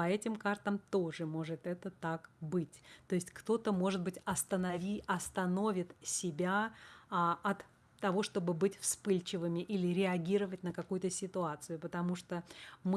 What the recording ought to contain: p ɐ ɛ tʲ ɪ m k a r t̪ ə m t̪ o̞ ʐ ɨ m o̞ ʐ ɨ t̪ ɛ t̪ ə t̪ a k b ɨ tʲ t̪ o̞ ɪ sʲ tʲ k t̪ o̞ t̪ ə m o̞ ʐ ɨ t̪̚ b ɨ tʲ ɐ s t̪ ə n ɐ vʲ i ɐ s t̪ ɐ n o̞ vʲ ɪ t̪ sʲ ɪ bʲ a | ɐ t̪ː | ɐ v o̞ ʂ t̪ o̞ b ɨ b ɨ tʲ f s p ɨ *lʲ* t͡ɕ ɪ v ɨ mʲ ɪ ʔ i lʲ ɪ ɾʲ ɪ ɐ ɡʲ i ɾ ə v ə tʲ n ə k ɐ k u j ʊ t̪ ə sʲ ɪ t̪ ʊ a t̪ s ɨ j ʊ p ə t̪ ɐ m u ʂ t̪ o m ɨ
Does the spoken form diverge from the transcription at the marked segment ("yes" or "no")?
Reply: no